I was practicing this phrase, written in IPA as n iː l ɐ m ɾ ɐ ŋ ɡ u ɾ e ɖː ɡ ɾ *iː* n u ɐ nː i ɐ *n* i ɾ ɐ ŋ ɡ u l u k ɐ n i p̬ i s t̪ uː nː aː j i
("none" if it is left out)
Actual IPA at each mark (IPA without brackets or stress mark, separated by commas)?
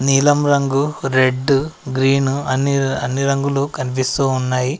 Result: iː, nː